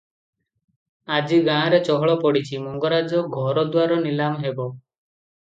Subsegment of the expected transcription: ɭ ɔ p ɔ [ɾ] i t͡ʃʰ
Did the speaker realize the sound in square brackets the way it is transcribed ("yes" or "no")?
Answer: no